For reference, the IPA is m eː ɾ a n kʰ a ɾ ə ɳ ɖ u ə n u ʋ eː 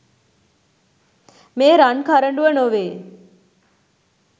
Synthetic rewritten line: m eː ɾ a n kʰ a ɾ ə ɳ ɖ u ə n o ʋ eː